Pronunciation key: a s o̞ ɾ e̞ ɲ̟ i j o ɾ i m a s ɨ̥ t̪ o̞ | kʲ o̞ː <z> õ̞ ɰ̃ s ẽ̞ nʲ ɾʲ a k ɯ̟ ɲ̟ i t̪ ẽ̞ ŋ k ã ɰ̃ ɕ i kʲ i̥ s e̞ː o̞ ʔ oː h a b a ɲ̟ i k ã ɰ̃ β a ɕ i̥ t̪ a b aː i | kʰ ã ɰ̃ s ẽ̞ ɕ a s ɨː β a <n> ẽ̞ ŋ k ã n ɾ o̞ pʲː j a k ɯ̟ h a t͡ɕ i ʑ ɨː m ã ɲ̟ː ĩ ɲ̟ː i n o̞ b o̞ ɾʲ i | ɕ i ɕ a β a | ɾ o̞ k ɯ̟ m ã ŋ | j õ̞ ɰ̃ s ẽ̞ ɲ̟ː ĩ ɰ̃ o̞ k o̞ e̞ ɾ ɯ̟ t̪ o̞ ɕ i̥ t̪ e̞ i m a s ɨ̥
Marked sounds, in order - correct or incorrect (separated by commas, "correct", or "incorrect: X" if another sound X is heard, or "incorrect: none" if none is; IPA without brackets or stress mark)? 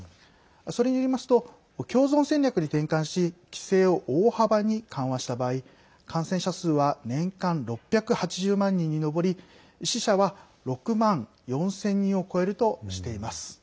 correct, correct